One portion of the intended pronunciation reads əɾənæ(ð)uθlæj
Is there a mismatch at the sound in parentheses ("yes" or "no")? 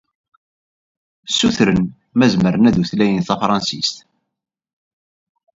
no